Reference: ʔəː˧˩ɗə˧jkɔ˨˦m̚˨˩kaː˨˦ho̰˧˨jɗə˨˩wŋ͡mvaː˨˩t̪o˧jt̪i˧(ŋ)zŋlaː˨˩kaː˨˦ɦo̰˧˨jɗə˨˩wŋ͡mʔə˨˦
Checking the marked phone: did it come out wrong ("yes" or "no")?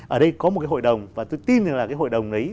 yes